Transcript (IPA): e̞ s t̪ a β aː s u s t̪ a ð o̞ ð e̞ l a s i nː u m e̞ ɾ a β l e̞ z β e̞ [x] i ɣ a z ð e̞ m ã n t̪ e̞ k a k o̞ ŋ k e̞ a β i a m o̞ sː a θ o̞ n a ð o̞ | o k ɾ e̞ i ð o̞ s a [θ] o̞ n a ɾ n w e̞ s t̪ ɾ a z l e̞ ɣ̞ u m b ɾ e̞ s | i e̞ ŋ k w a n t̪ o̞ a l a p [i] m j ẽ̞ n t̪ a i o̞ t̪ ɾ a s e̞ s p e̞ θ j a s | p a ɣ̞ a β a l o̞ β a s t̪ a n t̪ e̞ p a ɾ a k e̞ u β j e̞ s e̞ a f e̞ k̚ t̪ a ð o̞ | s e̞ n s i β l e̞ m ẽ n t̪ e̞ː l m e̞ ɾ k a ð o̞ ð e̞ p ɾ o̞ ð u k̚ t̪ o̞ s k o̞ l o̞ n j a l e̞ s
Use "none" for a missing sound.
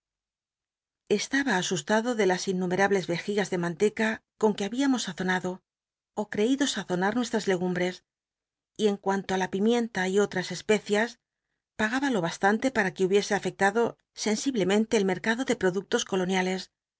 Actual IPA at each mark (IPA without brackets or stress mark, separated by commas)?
x, θ, i